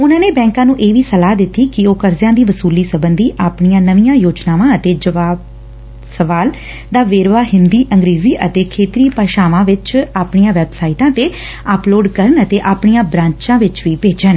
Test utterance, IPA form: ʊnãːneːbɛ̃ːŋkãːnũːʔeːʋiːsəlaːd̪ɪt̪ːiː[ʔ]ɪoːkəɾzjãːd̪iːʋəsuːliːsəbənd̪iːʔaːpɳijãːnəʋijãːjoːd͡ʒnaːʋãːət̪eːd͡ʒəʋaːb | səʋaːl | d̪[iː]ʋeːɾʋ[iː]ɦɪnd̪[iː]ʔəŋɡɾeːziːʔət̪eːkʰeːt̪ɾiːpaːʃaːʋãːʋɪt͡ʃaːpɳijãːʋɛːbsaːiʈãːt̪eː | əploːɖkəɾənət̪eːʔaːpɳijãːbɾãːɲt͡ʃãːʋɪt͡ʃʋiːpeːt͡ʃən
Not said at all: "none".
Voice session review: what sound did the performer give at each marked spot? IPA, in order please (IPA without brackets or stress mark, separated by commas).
k, aː, aː, iː